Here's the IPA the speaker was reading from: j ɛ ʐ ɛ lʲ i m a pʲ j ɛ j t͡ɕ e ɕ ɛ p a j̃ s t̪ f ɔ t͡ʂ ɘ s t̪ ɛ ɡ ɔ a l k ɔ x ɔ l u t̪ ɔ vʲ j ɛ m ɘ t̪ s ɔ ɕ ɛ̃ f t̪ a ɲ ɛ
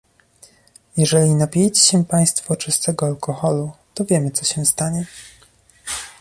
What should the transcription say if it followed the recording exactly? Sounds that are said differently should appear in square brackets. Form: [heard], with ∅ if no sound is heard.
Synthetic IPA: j ɛ ʐ ɛ lʲ i [n] a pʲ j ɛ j t͡ɕ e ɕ ɛ p a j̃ s t̪ f ɔ t͡ʂ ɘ s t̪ ɛ ɡ ɔ a l k ɔ x ɔ l u t̪ ɔ vʲ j ɛ m ɘ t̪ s ɔ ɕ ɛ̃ [s] t̪ a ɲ ɛ